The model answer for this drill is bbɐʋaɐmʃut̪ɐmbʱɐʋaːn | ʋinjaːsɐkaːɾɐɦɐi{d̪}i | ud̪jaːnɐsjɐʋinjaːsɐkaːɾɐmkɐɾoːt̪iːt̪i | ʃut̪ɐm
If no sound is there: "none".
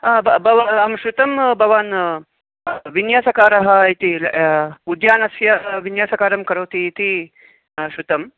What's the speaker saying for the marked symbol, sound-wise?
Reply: t̪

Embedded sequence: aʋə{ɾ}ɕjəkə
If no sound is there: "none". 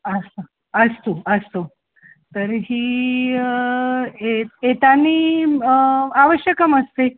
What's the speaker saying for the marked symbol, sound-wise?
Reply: none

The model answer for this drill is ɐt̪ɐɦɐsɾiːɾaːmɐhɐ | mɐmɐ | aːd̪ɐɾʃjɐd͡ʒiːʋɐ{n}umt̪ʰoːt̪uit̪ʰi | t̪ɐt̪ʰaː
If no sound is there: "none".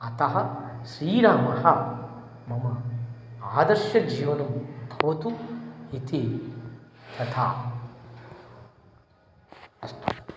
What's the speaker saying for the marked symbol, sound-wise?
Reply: n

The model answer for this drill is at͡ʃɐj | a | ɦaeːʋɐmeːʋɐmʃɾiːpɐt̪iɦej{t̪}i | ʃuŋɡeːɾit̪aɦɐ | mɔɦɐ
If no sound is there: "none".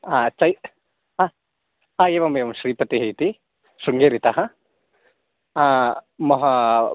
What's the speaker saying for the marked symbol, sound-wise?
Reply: t̪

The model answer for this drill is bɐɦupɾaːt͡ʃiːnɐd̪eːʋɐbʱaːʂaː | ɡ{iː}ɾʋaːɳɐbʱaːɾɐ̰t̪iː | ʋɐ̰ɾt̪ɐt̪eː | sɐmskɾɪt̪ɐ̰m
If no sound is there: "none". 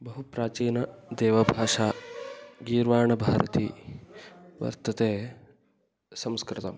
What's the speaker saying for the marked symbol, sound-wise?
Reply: iː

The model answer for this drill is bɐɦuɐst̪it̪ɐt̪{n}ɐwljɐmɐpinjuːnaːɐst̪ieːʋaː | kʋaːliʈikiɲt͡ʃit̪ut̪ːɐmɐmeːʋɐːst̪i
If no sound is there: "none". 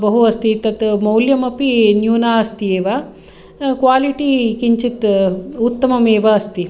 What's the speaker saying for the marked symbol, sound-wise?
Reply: m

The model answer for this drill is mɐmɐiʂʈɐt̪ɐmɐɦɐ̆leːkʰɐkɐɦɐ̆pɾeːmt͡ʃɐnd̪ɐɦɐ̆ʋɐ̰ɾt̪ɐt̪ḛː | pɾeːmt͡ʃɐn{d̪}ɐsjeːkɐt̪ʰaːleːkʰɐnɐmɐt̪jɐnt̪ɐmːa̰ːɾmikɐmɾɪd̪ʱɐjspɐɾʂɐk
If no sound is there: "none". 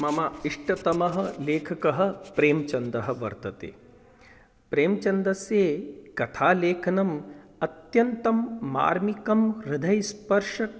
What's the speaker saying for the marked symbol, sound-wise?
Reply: d̪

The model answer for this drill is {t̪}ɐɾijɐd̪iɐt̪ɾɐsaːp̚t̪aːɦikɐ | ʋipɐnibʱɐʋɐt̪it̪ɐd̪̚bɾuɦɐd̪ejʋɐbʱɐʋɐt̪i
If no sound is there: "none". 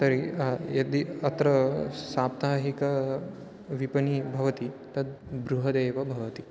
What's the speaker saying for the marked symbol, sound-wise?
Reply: t̪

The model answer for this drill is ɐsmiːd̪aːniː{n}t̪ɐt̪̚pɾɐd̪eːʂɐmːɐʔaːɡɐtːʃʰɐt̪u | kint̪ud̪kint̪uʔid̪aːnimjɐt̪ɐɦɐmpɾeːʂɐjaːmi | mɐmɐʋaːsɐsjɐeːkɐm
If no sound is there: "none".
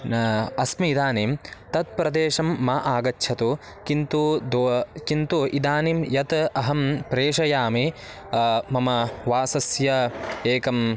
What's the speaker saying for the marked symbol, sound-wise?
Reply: m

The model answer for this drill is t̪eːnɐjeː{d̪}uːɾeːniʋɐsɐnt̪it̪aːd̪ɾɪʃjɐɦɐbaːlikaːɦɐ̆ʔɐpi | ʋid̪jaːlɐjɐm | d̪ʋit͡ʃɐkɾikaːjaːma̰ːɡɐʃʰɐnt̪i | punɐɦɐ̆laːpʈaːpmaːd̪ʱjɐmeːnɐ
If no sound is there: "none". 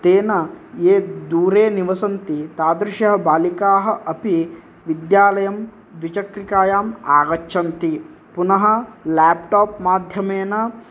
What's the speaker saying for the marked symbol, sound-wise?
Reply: d̪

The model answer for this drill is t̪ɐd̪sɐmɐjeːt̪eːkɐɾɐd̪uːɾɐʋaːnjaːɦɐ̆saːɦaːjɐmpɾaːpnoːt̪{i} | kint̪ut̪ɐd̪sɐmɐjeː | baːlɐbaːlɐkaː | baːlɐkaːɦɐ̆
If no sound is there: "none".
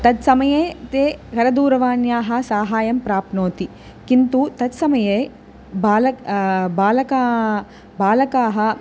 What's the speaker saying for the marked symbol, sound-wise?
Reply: i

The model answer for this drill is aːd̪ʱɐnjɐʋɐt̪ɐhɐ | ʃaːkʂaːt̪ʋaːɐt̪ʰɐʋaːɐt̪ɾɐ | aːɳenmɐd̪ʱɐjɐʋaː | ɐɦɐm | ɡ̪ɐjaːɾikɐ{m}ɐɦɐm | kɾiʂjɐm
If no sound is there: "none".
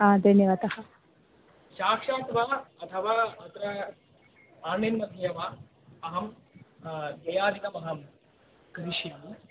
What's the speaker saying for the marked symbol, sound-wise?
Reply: m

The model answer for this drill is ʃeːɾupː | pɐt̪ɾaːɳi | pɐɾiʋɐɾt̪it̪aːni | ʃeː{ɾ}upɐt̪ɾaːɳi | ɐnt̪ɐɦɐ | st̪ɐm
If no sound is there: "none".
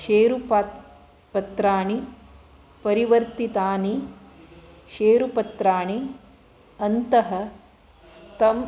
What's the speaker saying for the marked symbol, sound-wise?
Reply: ɾ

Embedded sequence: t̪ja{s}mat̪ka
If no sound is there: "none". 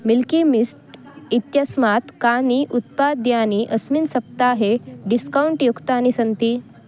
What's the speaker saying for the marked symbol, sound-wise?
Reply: s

